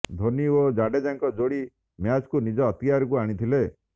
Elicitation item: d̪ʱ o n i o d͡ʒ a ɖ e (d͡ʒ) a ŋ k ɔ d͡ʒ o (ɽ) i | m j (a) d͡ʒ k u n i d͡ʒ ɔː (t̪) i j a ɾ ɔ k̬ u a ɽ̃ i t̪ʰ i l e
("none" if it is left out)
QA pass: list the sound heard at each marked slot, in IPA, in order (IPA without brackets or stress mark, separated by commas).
d͡ʒ, ɽ, a, t̪